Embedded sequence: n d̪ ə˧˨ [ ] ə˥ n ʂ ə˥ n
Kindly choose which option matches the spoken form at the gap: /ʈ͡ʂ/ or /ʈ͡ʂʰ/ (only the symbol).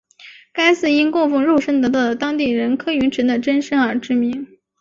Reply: ʈ͡ʂ